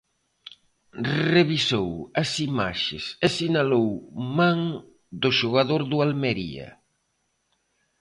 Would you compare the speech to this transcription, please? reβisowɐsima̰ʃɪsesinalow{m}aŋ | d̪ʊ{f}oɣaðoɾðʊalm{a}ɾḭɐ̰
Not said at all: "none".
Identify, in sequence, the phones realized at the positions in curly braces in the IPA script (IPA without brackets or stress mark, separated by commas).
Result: m, ʃ, e